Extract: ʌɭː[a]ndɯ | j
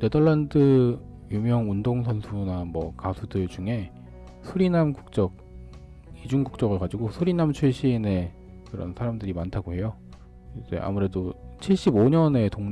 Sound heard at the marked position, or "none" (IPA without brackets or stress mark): a